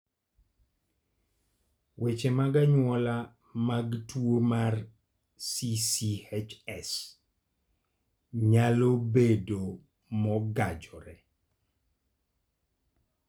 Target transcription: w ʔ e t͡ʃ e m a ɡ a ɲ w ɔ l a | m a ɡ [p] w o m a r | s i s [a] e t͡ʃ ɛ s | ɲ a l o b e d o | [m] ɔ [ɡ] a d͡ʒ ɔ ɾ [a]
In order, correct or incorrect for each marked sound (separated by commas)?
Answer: incorrect, incorrect, correct, correct, incorrect